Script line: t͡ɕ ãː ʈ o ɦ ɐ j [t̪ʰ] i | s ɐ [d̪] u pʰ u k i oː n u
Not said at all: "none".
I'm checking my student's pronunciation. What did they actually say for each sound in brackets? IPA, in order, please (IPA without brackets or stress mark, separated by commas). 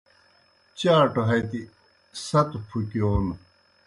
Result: t̪, t̪